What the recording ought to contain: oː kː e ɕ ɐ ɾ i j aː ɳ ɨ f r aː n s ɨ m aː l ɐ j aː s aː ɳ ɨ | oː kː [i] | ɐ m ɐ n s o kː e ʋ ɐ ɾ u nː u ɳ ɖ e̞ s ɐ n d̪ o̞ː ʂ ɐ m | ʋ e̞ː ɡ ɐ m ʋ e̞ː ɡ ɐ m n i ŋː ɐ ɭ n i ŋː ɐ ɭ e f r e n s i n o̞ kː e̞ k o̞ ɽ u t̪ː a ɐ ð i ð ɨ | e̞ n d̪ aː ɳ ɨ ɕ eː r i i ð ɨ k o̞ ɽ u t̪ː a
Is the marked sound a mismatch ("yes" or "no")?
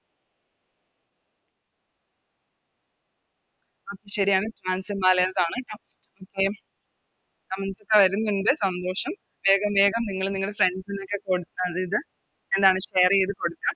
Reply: yes